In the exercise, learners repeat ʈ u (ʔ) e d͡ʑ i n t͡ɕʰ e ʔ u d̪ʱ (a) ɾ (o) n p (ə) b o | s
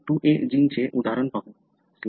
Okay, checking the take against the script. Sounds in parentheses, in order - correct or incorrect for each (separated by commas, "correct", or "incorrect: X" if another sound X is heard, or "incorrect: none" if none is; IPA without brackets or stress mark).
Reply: correct, correct, correct, incorrect: a